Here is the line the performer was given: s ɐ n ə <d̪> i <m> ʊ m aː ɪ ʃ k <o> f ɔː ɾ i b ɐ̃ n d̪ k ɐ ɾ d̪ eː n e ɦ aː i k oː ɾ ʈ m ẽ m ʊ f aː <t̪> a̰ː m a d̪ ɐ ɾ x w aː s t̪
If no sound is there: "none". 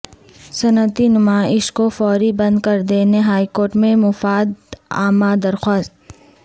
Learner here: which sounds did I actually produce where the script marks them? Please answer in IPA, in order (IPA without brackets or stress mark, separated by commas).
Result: t̪, n, o, d̪